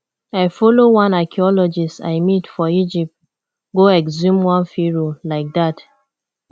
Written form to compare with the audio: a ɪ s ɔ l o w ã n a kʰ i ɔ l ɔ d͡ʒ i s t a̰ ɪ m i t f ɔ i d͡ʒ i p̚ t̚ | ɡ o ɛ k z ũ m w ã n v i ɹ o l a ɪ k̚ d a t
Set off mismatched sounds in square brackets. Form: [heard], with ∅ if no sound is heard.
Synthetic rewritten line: a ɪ [f] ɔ l o w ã n a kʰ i ɔ l ɔ d͡ʒ i s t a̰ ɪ m i t f ɔ i d͡ʒ i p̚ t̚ | ɡ o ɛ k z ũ m w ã n [f] i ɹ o l a ɪ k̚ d a t